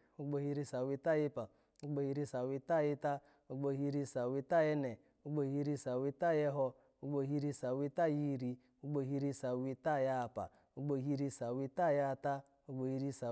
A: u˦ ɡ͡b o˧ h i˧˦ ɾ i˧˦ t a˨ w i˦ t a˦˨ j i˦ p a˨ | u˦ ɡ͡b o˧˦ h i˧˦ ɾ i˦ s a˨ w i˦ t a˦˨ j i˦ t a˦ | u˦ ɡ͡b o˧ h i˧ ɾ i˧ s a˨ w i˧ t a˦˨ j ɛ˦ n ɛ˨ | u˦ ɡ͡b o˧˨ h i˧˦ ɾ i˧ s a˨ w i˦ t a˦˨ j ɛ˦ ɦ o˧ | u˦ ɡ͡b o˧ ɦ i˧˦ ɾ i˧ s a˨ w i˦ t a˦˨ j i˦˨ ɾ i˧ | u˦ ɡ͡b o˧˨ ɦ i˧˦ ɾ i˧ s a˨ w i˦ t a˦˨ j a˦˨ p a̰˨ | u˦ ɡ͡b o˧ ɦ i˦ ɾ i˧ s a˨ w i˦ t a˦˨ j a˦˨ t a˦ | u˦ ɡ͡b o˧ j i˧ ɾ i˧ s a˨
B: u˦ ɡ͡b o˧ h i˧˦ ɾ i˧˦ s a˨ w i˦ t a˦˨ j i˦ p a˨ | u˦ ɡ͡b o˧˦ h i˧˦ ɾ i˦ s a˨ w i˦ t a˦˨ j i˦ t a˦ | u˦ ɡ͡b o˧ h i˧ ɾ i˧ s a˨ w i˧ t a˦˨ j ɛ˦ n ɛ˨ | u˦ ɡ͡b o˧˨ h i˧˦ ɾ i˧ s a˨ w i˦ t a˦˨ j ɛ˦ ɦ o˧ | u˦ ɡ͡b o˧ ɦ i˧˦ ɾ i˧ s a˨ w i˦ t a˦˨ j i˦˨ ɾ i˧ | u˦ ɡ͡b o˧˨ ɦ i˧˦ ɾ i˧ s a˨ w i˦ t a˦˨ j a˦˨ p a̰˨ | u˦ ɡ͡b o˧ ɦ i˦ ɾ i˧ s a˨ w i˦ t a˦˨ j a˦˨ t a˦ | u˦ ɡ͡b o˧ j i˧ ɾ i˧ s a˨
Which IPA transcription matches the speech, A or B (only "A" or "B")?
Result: B